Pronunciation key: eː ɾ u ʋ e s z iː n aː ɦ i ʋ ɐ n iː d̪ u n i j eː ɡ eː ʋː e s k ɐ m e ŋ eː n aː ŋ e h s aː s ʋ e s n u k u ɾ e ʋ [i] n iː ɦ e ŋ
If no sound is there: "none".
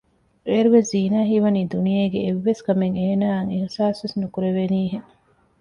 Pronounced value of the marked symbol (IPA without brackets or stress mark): e